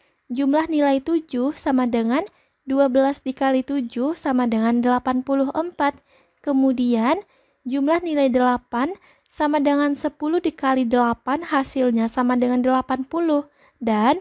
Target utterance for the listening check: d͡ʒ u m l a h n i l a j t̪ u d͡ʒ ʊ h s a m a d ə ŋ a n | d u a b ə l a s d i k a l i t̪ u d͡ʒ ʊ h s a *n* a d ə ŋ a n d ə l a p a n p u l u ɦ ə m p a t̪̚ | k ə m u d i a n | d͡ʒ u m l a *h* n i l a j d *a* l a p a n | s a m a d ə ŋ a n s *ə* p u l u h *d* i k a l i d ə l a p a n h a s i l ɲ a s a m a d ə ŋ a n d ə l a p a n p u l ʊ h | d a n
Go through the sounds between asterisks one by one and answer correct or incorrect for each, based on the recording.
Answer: incorrect: m, correct, incorrect: ə, correct, correct

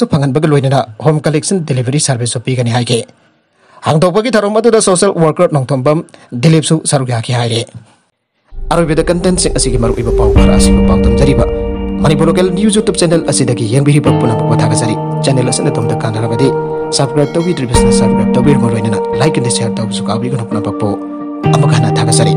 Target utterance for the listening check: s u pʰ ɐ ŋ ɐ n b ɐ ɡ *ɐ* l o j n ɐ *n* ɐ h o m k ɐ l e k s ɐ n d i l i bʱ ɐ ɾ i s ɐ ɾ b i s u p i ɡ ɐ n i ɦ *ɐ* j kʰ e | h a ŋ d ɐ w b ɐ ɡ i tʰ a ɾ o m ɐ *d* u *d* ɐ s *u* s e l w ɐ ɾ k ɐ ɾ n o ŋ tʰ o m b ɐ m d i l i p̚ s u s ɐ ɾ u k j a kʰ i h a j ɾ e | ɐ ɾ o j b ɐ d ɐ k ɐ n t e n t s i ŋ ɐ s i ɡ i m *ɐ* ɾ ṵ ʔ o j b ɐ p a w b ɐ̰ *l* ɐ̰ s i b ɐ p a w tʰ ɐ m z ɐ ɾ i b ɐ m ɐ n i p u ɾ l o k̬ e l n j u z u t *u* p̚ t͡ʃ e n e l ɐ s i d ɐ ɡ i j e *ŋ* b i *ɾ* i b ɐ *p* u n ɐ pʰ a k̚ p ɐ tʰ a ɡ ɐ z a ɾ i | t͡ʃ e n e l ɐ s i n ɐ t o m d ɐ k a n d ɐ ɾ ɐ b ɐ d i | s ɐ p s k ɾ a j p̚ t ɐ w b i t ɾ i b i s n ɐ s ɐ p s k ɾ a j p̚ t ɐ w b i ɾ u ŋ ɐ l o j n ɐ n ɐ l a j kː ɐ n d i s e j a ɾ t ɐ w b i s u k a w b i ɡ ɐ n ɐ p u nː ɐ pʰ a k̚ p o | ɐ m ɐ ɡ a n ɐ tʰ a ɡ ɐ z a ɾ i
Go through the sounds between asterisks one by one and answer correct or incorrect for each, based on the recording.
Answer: correct, correct, incorrect: a, correct, correct, incorrect: o, correct, incorrect: ɾ, correct, correct, correct, correct

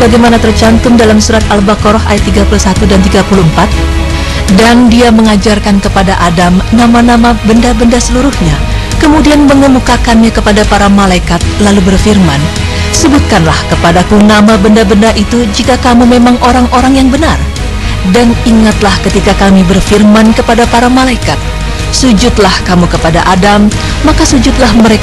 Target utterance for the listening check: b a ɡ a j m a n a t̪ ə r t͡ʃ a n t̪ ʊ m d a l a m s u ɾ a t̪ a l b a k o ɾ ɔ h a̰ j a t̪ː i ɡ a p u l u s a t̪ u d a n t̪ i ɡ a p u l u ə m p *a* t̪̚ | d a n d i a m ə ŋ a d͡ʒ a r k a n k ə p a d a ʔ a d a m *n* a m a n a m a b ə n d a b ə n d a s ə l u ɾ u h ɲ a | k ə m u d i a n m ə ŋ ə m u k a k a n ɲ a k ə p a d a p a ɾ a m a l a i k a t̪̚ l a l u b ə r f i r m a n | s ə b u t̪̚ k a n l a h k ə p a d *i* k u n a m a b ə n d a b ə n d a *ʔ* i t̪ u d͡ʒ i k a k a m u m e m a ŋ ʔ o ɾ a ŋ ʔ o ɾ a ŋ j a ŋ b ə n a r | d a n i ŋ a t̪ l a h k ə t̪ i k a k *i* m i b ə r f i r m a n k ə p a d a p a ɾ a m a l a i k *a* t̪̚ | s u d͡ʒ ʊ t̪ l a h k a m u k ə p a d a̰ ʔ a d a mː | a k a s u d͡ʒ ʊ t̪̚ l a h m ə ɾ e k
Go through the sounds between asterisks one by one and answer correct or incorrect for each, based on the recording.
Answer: correct, correct, incorrect: a, correct, incorrect: a, correct

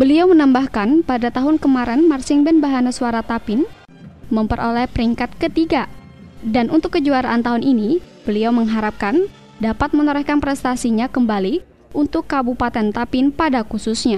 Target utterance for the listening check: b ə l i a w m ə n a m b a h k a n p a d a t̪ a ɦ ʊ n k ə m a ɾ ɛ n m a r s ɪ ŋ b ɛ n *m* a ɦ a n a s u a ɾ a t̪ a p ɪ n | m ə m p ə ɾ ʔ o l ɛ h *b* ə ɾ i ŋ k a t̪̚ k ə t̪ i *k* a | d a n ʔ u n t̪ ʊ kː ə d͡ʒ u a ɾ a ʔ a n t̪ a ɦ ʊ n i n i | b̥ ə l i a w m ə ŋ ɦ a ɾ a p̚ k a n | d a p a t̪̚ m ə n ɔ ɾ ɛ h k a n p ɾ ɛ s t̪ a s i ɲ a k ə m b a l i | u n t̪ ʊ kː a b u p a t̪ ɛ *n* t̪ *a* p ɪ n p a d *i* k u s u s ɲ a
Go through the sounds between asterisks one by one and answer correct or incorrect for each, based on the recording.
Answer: incorrect: b, incorrect: p, incorrect: ɡ, correct, correct, incorrect: a

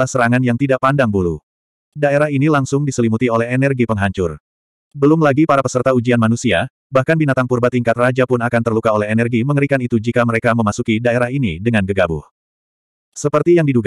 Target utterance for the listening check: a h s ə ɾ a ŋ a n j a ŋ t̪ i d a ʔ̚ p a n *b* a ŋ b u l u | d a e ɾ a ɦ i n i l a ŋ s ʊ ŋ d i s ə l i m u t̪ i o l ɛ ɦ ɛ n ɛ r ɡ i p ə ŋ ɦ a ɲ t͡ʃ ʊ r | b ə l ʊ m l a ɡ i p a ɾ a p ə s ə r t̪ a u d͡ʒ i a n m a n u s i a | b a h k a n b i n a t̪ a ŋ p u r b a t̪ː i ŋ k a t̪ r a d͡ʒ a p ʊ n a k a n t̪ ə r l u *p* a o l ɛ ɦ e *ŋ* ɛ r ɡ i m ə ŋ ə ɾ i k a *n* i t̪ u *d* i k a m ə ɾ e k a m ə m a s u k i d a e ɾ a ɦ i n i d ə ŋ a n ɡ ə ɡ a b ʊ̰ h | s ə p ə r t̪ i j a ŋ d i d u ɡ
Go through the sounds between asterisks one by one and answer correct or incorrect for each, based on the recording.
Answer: incorrect: d, incorrect: k, incorrect: n, correct, incorrect: d͡ʒ

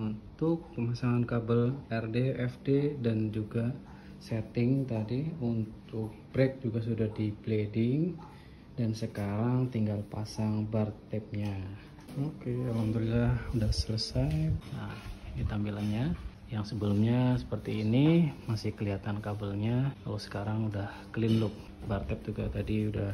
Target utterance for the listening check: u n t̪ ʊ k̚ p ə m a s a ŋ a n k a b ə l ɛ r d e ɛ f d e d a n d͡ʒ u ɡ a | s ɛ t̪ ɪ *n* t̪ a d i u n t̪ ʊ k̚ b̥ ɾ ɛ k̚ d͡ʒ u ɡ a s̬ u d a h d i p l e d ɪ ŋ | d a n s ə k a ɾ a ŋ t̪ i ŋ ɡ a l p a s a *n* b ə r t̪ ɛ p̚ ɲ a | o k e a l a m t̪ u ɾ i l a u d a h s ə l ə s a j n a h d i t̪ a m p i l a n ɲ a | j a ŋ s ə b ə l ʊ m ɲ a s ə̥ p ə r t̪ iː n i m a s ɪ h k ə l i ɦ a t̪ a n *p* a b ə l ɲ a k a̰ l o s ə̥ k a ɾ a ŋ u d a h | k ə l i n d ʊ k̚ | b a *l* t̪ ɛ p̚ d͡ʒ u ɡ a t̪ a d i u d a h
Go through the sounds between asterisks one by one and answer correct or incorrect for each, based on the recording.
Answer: incorrect: ŋ, incorrect: ŋ, incorrect: k, incorrect: r

